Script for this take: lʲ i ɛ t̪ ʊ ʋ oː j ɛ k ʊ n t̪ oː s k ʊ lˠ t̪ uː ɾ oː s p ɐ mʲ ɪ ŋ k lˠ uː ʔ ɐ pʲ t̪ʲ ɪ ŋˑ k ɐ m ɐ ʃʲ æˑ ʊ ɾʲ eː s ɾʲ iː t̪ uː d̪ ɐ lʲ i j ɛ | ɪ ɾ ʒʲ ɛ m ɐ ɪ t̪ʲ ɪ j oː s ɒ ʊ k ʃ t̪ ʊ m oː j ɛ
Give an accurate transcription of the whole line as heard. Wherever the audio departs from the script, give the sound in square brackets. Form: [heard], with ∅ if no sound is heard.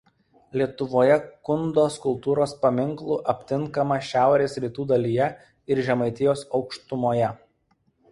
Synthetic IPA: lʲ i ɛ t̪ ʊ ʋ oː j ɛ k ʊ n [d̪] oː s k ʊ lˠ t̪ uː ɾ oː s p ɐ mʲ ɪ ŋ k lˠ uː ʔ ɐ pʲ t̪ʲ ɪ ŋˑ k ɐ m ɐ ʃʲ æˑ ʊ ɾʲ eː s ɾʲ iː t̪ uː d̪ ɐ lʲ i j ɛ | ɪ ɾ ʒʲ ɛ m ɐ ɪ t̪ʲ ɪ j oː s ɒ ʊ k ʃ t̪ ʊ m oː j ɛ

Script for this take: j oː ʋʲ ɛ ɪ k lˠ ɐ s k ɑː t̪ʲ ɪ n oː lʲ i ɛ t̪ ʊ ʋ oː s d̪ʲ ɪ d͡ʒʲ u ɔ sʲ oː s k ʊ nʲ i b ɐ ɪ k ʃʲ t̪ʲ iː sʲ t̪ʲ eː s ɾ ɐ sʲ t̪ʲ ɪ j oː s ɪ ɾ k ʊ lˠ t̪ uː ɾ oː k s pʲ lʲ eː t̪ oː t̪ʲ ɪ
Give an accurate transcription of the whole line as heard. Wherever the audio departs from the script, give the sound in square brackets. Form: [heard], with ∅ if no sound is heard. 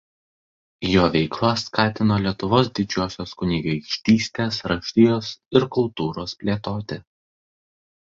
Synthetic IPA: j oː ʋʲ ɛ ɪ k lˠ ɐ s k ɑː t̪ʲ ɪ n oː lʲ i ɛ t̪ ʊ ʋ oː s d̪ʲ ɪ d͡ʒʲ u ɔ sʲ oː s k ʊ nʲ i [ɡ] ɐ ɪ k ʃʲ t̪ʲ iː sʲ t̪ʲ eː s ɾ ɐ [ʃʲ] t̪ʲ ɪ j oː s ɪ ɾ k ʊ lˠ t̪ uː ɾ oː [∅] s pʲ lʲ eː t̪ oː t̪ʲ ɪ

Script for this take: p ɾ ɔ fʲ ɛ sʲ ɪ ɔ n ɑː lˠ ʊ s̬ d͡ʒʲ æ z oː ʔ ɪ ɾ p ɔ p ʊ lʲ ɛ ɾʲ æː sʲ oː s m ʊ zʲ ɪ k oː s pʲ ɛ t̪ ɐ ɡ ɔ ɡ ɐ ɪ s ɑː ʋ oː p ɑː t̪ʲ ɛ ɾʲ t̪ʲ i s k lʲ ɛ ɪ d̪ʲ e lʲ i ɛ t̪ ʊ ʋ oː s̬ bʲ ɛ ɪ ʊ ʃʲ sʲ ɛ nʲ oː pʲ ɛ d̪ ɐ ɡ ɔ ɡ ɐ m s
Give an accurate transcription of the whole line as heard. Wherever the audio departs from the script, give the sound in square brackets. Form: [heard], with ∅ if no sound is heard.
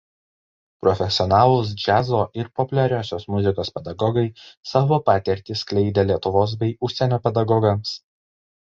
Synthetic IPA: p ɾ ɔ fʲ ɛ sʲ ɪ ɔ n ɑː lˠ ʊ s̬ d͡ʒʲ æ z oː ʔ ɪ ɾ p ɔ p ʊ lʲ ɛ ɾʲ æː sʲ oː s m ʊ zʲ ɪ k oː s pʲ ɛ [d̪] ɐ ɡ ɔ ɡ ɐ ɪ s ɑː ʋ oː p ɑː t̪ʲ ɛ ɾʲ t̪ʲ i s k lʲ ɛ ɪ d̪ʲ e lʲ i ɛ t̪ ʊ ʋ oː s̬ bʲ ɛ ɪ ʊ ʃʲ sʲ ɛ nʲ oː pʲ ɛ d̪ ɐ ɡ ɔ ɡ ɐ m s

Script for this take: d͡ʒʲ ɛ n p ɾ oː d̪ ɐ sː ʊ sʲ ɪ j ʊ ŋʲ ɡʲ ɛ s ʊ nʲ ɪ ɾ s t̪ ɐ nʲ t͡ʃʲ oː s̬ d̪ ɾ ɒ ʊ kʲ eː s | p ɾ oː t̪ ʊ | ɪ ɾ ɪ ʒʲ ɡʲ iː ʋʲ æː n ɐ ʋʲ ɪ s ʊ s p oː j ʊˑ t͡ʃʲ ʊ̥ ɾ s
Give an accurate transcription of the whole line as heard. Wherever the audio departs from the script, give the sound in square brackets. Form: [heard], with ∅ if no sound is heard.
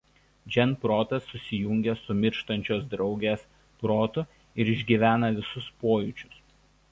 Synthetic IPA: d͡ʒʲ ɛ n p ɾ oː [t̪] ɐ sː ʊ sʲ ɪ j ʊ ŋʲ ɡʲ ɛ s ʊ [mʲ] ɪ ɾ [ʃ] t̪ ɐ nʲ t͡ʃʲ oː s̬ d̪ ɾ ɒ ʊ [ɡʲ] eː s | p ɾ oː t̪ ʊ | ɪ ɾ ɪ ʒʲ ɡʲ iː ʋʲ æː n ɐ ʋʲ ɪ s ʊ s p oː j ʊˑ t͡ʃʲ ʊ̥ [∅] s

